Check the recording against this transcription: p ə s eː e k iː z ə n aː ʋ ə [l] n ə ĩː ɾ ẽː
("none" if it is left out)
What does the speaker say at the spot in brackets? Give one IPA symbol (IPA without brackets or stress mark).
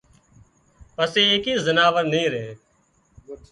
ɾ